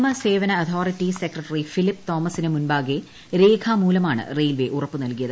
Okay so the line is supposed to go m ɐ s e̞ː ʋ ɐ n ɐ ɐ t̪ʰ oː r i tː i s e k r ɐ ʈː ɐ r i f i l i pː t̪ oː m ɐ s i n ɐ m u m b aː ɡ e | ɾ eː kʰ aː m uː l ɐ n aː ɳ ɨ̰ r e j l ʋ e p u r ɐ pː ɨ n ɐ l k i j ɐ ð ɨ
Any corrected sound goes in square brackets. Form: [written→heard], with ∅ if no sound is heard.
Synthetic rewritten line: m ɐ s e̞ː ʋ ɐ n ɐ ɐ t̪ʰ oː r i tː i s e k r ɐ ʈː ɐ r i f i l i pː t̪ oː m ɐ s i n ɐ m u [m→n] b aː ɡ e | ɾ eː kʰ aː m uː l ɐ [n→m] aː ɳ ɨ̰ r e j l ʋ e [p→ʔ] u r ɐ pː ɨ n ɐ l k i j ɐ ð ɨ